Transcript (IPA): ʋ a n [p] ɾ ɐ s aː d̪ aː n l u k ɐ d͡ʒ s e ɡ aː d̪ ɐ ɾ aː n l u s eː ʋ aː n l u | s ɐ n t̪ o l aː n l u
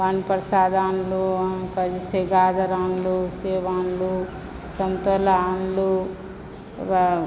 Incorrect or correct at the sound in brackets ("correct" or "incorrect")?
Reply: correct